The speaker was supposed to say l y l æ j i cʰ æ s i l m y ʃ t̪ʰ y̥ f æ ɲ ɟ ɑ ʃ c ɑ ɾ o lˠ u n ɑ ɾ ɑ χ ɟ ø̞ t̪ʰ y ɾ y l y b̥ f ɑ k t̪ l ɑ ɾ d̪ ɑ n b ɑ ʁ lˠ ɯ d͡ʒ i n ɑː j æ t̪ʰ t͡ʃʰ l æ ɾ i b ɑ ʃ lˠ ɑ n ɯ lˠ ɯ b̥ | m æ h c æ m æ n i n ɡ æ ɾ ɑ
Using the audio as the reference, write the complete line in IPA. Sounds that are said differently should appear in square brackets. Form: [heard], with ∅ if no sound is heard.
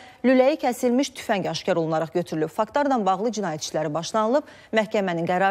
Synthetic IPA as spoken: l y l æ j i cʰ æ s i l m [i] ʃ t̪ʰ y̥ f æ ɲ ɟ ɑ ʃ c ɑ ɾ o lˠ u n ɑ ɾ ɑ χ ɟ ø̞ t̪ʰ y ɾ y l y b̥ f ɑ k t̪ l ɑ ɾ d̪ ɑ n b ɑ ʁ lˠ ɯ d͡ʒ i n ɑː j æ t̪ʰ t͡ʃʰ l æ ɾ i b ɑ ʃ lˠ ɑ n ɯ lˠ ɯ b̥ | m æ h c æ m æ n i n ɡ æ ɾ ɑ

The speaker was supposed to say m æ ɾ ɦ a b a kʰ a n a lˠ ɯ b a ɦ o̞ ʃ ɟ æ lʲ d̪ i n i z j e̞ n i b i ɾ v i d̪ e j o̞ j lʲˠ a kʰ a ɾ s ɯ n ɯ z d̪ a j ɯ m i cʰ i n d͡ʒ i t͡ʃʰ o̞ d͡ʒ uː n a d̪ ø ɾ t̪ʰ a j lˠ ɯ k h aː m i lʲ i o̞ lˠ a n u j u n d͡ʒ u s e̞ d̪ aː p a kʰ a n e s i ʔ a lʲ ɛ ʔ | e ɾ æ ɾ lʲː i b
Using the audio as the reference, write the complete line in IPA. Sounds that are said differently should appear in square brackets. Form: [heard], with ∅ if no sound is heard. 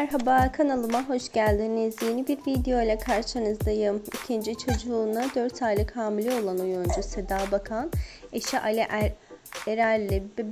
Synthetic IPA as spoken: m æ ɾ ɦ a b a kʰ a n a lˠ ɯ [m] a ɦ o̞ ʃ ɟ æ lʲ d̪ i n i z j e̞ n i b i ɾ v i d̪ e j o̞ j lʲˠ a kʰ a ɾ [ʃ] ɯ n ɯ z d̪ a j ɯ m i cʰ i n d͡ʒ i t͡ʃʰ o̞ d͡ʒ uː n a d̪ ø ɾ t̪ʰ a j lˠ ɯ k h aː m i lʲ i o̞ lˠ a n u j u n d͡ʒ u s e̞ d̪ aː [b] a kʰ a n e [ʃ] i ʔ a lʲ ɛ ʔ | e ɾ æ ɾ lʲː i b

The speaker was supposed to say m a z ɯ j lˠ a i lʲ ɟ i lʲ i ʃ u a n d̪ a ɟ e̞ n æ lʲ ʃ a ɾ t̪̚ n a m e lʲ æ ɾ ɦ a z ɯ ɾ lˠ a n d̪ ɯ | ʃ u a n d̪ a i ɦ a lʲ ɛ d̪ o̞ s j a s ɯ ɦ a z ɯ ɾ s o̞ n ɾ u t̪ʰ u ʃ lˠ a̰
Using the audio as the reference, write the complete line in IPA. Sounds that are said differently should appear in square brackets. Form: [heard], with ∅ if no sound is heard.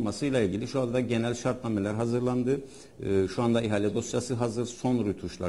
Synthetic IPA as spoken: m a [s] ɯ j lˠ a i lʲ ɟ i lʲ i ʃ u a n d̪ a ɟ e̞ n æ lʲ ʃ a ɾ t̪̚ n a m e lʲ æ ɾ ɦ a z ɯ ɾ lˠ a n d̪ ɯ | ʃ u a n d̪ a i ɦ a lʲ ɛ d̪ o̞ s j a s ɯ ɦ a z ɯ ɾ s o̞ n ɾ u t̪ʰ u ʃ lˠ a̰

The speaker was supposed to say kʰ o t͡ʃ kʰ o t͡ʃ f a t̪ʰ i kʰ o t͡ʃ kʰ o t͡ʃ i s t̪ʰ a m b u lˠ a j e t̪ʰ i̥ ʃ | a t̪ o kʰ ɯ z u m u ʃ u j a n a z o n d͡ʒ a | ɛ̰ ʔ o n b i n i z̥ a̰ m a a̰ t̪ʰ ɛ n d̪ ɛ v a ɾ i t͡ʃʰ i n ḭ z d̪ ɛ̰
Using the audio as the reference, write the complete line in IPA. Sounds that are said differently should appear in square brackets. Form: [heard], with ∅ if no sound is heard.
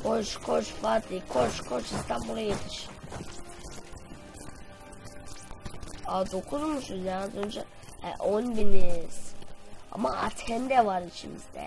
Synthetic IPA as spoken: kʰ o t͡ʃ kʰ o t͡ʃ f a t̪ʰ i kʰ o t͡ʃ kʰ o t͡ʃ i s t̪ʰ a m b u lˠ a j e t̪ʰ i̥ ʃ | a [d̪] o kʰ [u] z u m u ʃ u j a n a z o n d͡ʒ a | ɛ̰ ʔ o n b i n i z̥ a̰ m a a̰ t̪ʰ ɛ n d̪ ɛ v a ɾ i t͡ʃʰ i [m] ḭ z d̪ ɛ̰

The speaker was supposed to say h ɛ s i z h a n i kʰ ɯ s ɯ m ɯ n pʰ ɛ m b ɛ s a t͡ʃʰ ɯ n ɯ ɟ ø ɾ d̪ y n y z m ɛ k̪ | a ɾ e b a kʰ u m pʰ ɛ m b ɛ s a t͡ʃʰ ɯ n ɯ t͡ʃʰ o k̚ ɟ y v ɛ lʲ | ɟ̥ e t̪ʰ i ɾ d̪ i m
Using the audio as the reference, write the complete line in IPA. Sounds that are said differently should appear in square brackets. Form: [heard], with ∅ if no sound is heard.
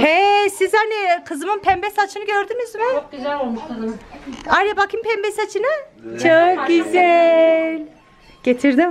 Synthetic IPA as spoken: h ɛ s i z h a n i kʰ ɯ [z] ɯ m ɯ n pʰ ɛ m b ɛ s a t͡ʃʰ ɯ n ɯ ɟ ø ɾ d̪ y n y z m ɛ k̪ | a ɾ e b a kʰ [ɯ] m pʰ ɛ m b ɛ s a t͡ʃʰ ɯ n ɯ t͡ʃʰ o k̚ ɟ y [z] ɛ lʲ | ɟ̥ e t̪ʰ i ɾ d̪ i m

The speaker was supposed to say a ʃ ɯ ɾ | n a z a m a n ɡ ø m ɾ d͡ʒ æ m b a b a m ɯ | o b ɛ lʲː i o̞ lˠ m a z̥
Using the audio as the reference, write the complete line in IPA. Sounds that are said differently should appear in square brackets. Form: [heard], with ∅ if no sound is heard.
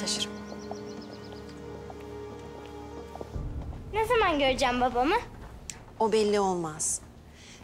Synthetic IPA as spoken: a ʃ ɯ ɾ | n [e] z a m a n [ɟ] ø [∅] ɾ d͡ʒ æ m b a b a m ɯ | o b ɛ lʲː i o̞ lˠ m a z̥

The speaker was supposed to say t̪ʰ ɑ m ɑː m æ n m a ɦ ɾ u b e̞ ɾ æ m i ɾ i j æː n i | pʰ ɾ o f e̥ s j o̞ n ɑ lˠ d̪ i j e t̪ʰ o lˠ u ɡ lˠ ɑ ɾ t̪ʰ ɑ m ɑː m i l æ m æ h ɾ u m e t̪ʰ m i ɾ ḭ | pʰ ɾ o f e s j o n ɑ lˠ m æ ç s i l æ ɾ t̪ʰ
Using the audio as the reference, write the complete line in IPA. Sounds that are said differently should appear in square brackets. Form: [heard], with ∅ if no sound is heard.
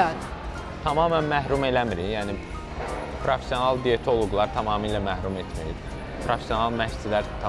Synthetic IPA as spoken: t̪ʰ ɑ m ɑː m æ n m [æ] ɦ ɾ u [m] e̞ [l] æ m i ɾ i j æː n i | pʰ ɾ o f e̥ s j o̞ n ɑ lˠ d̪ i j e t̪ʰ o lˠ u ɡ lˠ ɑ ɾ t̪ʰ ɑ m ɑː m i l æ m æ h ɾ u m e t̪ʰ m i ɾ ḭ | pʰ ɾ o f e s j o n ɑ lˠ m æ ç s i l æ ɾ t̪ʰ

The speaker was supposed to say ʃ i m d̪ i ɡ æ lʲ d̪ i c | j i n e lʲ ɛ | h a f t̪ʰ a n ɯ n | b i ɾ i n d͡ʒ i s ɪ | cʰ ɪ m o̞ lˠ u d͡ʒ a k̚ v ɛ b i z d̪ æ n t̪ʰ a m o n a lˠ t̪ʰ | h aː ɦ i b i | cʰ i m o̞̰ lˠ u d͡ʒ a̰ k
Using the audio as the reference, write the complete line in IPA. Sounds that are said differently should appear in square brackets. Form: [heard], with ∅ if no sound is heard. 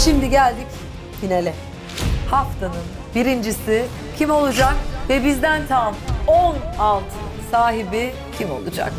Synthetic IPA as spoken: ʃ i m d̪ i [ɟ] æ lʲ d̪ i c | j i n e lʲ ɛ | h a f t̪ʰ a n ɯ n | b i ɾ i n d͡ʒ i s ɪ | cʰ [i] m o̞ lˠ u d͡ʒ a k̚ v ɛ b i z d̪ æ n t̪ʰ a m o n a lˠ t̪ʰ | [s] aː ɦ i b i | cʰ i m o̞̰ lˠ u d͡ʒ a̰ k

